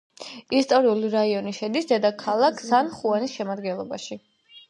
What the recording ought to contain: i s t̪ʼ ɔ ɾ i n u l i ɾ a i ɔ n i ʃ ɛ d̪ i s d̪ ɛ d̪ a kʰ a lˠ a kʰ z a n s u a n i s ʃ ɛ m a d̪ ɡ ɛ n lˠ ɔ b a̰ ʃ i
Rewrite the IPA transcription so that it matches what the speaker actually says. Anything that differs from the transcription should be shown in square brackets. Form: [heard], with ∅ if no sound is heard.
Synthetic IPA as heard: i s t̪ʼ ɔ ɾ i [∅] u l i ɾ a i ɔ n i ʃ ɛ d̪ i s d̪ ɛ d̪ a kʰ a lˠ a kʰ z a n [χ] u a n i s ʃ ɛ m a d̪ ɡ ɛ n lˠ ɔ b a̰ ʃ i